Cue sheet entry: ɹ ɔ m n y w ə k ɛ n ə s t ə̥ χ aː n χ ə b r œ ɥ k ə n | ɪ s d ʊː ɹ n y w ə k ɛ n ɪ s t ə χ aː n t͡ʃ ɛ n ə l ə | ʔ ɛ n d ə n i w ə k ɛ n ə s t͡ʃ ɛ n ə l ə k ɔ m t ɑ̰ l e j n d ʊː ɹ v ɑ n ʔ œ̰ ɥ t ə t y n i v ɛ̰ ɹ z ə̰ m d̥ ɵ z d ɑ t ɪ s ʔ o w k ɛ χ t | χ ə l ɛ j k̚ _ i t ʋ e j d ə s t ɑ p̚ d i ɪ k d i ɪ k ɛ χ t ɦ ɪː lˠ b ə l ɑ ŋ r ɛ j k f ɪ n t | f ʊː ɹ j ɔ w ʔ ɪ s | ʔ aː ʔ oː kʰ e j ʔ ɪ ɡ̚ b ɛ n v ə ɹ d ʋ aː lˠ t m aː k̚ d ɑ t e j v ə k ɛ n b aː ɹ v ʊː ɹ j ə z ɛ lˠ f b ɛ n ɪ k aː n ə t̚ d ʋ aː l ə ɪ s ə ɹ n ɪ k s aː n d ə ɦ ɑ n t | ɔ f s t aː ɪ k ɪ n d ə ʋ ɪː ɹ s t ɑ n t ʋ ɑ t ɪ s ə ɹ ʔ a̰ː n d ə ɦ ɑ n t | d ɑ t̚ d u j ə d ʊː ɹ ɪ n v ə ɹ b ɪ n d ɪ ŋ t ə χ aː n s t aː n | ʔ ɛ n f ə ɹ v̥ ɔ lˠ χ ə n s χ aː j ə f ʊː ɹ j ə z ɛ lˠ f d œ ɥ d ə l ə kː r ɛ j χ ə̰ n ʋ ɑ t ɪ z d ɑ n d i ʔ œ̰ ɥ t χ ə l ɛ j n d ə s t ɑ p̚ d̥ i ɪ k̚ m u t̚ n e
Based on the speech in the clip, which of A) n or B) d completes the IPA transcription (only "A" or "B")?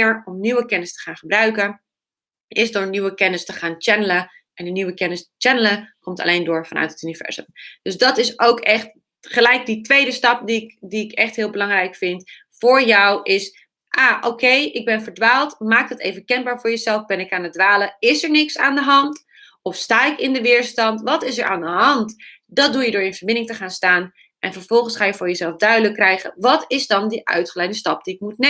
B